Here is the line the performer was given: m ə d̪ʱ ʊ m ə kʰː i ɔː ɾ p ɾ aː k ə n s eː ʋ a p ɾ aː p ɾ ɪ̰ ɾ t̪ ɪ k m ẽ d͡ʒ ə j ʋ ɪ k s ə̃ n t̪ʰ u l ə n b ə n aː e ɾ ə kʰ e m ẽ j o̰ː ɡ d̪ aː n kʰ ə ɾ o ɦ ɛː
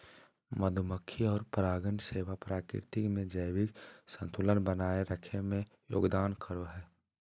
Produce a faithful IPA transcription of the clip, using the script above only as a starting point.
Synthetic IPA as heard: m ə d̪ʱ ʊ m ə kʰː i ɔː ɾ p ɾ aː ɡ ə n s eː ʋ a p ɾ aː k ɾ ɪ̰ ɾ t̪ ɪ k m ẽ d͡ʒ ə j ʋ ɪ k s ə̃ n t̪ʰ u l ə n b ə n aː e ɾ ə kʰ e m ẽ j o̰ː ɡ d̪ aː n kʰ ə ɾ o ɦ ɛː